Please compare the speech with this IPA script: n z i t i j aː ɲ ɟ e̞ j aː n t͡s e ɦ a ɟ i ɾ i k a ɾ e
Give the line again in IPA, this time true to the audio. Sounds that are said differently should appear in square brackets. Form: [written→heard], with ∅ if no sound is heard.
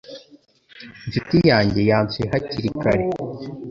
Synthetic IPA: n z i t i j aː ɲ ɟ e̞ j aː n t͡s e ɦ a [ɟ→c] i ɾ i k a ɾ e